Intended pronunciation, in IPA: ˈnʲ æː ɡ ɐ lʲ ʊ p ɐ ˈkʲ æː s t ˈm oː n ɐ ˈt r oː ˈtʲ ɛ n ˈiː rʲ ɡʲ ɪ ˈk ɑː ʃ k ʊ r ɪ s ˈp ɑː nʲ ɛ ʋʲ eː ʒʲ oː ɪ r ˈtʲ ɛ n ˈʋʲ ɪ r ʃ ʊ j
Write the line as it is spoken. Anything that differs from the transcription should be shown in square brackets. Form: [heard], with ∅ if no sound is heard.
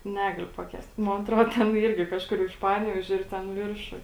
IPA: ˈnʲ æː ɡ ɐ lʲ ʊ p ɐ ˈkʲ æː s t ˈm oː n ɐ ˈt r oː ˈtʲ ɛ n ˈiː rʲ ɡʲ ɪ ˈk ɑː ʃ k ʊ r ɪ [ʃ] ˈp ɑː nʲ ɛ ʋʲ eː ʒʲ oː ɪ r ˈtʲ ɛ n ˈʋʲ ɪ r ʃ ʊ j